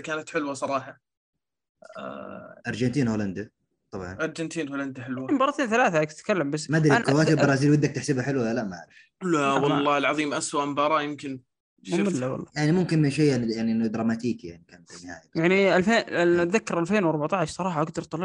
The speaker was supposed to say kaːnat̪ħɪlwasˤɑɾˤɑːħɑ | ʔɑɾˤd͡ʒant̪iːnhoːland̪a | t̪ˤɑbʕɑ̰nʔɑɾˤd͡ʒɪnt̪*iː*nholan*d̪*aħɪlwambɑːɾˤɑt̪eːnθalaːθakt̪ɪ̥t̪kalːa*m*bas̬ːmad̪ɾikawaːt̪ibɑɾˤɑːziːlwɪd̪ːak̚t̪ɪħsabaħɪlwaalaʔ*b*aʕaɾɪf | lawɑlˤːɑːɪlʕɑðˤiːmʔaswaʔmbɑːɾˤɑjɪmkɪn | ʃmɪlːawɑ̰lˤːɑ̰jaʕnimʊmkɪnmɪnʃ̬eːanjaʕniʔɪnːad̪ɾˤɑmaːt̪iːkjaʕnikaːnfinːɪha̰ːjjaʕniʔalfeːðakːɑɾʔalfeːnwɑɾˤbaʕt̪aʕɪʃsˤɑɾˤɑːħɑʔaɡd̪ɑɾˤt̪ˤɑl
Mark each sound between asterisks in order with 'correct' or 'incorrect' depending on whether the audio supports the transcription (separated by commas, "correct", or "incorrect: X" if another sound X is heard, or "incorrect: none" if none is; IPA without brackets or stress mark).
correct, correct, correct, incorrect: m